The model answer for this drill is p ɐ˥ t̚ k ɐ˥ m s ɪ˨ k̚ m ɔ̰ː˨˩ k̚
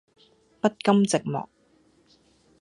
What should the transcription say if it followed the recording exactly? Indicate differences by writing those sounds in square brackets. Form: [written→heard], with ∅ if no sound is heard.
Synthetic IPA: p ɐ˥ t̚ k ɐ˥ m [s→t͡s] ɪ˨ k̚ m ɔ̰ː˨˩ k̚